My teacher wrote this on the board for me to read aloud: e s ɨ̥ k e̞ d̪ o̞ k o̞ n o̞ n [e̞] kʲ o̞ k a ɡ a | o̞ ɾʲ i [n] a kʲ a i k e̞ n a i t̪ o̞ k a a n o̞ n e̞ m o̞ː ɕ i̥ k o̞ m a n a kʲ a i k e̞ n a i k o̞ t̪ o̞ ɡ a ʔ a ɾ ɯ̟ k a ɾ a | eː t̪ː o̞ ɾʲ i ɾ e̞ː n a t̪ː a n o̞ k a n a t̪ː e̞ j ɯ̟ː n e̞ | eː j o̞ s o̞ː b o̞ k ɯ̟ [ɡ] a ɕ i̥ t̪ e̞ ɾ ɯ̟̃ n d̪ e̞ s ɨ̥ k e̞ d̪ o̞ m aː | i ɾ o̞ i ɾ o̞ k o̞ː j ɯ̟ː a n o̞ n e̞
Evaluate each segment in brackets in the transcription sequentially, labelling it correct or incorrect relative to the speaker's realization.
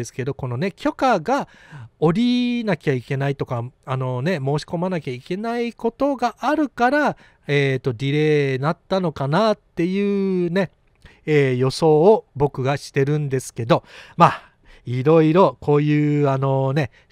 correct, correct, correct

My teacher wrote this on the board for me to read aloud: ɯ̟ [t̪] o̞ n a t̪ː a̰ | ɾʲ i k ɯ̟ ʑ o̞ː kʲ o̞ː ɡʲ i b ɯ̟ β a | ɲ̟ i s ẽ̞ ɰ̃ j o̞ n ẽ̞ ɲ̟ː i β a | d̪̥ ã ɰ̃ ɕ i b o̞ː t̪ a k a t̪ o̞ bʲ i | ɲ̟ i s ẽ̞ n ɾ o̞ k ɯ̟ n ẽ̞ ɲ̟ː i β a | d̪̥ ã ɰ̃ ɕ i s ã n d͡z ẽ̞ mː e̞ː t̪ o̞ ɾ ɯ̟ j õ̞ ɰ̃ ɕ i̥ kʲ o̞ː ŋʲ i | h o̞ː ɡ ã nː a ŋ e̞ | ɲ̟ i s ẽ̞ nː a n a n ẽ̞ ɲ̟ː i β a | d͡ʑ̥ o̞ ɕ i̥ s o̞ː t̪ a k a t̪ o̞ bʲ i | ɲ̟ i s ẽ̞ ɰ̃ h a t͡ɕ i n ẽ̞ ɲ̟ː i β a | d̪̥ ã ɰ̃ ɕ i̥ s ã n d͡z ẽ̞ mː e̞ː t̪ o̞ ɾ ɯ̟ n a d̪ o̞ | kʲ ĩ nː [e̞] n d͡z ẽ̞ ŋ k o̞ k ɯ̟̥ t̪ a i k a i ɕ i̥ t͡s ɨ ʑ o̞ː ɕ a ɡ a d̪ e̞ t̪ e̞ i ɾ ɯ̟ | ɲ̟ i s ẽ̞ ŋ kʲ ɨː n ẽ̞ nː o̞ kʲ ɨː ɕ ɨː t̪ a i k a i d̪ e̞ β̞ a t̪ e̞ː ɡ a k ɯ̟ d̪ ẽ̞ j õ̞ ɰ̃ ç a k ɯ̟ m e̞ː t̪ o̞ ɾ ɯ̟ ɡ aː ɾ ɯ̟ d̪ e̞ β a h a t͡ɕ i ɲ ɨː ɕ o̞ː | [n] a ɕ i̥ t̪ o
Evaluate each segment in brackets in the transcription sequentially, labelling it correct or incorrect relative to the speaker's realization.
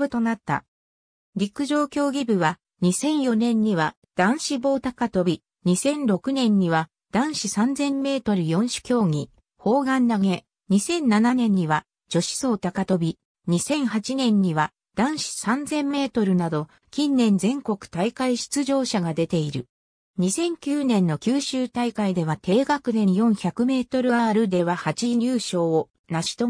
correct, incorrect: ẽ̞, correct

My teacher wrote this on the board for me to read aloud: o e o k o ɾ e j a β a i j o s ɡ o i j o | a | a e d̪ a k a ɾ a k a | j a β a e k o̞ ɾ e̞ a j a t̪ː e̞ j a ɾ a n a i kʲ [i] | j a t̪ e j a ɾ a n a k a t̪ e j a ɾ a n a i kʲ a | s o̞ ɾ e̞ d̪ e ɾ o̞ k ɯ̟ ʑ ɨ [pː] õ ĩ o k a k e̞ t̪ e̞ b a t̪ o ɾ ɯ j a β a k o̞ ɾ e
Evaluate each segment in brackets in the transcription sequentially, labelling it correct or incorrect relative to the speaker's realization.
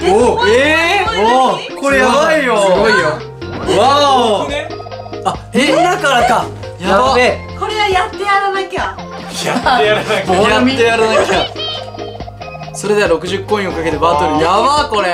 incorrect: a, incorrect: kː

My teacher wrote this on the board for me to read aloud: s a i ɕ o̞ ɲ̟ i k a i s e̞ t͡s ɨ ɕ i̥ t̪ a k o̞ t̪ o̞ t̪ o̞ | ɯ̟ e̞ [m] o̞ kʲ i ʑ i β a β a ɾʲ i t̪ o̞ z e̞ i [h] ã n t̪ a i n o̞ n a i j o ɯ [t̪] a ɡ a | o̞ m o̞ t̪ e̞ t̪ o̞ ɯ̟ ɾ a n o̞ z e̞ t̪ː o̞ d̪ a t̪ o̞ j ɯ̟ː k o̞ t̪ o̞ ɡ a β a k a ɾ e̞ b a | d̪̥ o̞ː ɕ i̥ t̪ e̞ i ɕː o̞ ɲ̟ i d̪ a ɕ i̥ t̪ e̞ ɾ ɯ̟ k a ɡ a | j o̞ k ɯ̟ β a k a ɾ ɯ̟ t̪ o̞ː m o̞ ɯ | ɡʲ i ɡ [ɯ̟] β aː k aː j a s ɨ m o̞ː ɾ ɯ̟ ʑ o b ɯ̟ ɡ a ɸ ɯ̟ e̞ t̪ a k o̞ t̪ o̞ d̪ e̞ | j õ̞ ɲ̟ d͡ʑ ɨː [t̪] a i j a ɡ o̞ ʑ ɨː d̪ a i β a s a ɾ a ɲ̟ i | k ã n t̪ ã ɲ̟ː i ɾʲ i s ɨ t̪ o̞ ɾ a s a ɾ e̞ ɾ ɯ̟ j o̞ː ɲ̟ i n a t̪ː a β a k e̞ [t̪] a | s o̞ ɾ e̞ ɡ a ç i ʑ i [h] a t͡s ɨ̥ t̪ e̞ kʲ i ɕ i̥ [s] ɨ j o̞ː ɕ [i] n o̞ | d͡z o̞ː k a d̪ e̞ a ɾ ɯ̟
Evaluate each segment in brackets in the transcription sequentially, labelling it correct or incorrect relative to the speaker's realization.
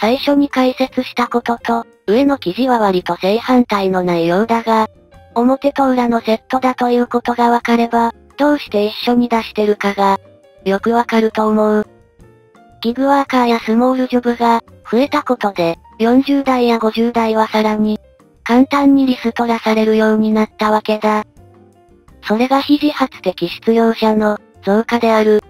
incorrect: n, correct, incorrect: d̪, correct, incorrect: d̪, incorrect: d̪, correct, incorrect: t͡s, incorrect: a

